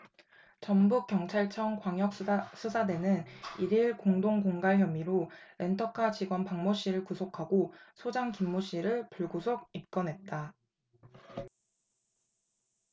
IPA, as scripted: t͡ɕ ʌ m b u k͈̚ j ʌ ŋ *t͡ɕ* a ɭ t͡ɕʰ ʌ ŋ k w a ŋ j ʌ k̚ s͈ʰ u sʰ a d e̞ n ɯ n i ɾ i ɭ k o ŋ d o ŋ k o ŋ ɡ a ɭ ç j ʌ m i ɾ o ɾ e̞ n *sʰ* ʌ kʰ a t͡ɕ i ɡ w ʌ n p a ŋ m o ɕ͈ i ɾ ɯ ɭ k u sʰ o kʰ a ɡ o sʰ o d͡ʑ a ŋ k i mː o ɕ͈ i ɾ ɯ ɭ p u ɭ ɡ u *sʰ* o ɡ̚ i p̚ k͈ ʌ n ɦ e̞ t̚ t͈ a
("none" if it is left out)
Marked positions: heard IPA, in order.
t͡ɕʰ, tʰ, sʰ

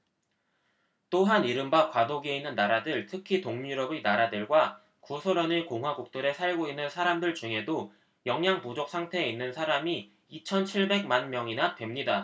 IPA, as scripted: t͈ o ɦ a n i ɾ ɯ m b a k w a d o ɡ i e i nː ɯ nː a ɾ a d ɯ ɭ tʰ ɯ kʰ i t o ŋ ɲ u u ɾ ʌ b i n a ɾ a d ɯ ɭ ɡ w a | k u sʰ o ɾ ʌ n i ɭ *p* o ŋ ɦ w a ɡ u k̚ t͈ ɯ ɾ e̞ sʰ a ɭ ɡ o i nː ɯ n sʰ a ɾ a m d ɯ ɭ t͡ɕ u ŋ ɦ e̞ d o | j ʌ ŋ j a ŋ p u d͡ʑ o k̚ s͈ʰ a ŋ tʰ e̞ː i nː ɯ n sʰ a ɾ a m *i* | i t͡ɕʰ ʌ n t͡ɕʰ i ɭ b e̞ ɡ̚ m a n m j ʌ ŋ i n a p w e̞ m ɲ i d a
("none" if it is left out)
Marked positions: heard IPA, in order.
k, i

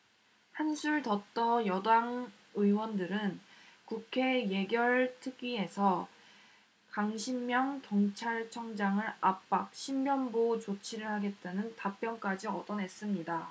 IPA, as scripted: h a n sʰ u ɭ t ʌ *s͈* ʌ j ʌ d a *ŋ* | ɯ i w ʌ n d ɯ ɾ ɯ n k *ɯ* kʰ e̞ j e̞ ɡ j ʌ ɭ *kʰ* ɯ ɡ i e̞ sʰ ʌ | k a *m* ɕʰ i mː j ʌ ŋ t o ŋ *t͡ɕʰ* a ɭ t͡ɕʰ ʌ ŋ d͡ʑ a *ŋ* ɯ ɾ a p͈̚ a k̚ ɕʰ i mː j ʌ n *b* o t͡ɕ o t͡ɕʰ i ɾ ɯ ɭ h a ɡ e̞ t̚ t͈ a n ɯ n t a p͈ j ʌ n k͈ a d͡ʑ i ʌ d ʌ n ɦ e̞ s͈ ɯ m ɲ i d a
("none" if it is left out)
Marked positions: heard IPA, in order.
t͈, ŋ, u, tʰ, ŋ, t͡ɕʰ, ŋ, b

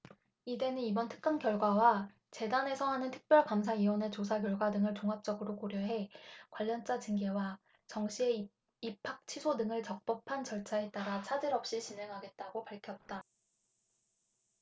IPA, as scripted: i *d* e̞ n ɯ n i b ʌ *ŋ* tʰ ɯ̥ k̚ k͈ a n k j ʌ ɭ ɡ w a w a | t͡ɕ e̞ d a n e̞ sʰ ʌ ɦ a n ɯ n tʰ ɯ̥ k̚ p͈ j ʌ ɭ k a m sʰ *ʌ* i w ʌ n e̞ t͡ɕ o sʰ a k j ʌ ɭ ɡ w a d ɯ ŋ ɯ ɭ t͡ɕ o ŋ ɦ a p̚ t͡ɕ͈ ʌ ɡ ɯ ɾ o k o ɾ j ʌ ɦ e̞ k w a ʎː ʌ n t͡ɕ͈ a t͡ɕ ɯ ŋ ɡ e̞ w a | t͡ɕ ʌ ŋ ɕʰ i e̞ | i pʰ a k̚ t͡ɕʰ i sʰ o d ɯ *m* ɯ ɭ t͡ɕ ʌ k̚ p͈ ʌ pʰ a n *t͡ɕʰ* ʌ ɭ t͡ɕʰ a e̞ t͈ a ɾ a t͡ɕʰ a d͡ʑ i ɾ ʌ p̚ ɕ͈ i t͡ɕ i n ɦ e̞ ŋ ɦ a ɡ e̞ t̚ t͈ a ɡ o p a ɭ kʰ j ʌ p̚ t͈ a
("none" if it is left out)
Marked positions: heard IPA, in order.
d, n, a, ŋ, t͡ɕ

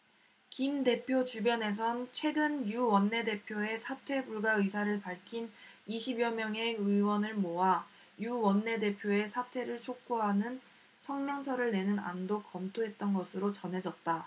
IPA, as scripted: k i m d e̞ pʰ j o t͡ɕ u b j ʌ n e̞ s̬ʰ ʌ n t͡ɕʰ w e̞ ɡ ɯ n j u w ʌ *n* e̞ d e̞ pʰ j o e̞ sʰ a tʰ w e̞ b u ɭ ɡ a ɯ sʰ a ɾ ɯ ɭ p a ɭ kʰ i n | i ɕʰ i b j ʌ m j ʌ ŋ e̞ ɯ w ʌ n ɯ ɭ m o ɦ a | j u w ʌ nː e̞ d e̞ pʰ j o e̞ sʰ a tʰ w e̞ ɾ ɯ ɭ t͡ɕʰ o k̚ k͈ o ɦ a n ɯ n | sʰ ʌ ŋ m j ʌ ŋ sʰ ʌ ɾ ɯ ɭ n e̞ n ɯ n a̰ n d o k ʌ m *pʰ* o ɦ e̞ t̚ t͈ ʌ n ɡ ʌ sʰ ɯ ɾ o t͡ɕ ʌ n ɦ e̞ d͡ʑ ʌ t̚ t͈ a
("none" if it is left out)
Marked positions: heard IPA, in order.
nː, tʰ

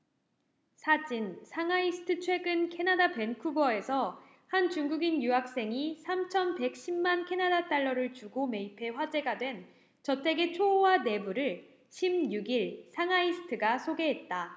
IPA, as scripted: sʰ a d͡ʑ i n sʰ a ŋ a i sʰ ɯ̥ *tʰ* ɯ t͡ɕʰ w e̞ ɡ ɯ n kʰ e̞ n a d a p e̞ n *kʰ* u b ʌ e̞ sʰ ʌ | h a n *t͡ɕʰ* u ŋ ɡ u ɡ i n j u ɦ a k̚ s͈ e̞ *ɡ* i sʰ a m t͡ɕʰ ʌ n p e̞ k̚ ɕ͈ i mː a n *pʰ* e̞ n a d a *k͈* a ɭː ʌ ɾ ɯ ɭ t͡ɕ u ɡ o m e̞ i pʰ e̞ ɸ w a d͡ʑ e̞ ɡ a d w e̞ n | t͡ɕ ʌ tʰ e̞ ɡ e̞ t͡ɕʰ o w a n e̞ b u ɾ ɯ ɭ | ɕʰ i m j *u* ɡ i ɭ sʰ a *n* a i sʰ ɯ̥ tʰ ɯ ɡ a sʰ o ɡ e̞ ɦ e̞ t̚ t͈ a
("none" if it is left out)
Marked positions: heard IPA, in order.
tʰ, kʰ, t͡ɕ, ŋ, kʰ, t͈, u, ŋ

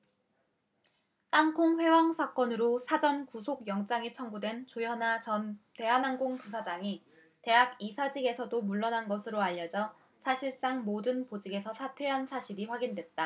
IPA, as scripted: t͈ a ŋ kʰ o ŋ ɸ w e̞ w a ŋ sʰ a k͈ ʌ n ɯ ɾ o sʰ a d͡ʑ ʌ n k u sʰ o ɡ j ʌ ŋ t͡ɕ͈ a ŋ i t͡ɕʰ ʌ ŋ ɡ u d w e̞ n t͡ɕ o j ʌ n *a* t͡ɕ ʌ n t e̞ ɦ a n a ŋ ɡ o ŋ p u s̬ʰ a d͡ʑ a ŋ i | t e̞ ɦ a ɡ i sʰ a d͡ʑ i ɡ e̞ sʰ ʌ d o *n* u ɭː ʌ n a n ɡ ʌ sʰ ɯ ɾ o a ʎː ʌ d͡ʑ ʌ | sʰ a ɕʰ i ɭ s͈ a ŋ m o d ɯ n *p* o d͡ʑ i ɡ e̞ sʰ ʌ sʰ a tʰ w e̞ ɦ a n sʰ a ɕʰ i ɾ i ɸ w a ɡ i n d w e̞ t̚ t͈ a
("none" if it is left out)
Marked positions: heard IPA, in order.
a, m, p

